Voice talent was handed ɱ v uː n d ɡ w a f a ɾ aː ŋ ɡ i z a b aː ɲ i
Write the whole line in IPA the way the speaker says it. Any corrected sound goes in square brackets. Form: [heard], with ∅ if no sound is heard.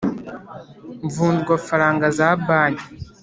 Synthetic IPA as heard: ɱ v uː n d ɡ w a f a ɾ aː ŋ ɡ [a] z a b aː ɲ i